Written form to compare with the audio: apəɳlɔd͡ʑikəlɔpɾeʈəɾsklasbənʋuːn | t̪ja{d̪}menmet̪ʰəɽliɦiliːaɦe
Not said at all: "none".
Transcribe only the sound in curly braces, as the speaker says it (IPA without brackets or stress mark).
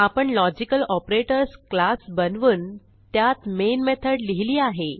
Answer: t̪